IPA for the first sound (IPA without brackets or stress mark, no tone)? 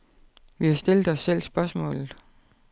ʋ